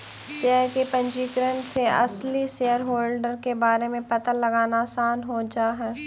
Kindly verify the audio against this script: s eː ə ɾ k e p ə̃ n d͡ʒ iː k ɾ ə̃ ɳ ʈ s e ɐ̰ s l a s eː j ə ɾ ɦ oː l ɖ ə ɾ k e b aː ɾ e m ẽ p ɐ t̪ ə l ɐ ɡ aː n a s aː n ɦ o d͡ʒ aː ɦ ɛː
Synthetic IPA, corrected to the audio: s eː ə ɾ k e p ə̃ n d͡ʒ iː k ɾ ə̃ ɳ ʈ s e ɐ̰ s l i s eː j ə ɾ ɦ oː l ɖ ə ɾ k e b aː ɾ e m ẽ p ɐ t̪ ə l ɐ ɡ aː n a s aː n ɦ o d͡ʒ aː ɦ ɛː